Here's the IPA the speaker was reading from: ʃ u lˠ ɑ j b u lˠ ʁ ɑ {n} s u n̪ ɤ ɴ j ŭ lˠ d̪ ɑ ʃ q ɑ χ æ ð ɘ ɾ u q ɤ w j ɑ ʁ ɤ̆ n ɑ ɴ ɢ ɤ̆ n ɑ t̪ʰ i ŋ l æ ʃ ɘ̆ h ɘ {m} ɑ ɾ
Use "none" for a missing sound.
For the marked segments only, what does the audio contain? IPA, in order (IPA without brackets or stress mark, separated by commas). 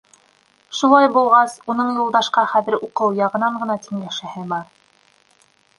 none, b